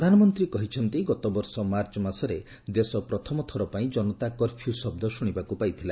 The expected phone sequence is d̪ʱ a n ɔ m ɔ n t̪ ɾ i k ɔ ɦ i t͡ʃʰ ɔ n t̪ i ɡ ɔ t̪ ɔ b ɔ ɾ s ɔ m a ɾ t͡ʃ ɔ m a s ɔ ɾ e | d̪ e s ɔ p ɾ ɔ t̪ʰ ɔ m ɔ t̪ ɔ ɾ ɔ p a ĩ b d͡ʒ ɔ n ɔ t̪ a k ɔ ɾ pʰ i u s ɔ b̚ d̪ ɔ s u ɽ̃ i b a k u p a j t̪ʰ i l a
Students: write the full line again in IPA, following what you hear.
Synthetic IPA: d̪ʱ a n ɔ m ɔ n t̪ ɾ i k ɔ ɦ i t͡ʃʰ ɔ n t̪ i ɡ ɔ t̪ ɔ b ɔ ɾ s ɔ m a ɾ t͡ʃ ɔ m a s ɔ ɾ e | d̪ e s ɔ p ɾ ɔ t̪ʰ ɔ m ɔ t̪ʰ ɔ ɾ ɔ p a ĩ d͡ʒ ɔ n ɔ t̪ a k ɔ ɾ pʰ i u s ɔ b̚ d̪ ɔ s u ɽ̃ i b a k u p a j t̪ʰ i l a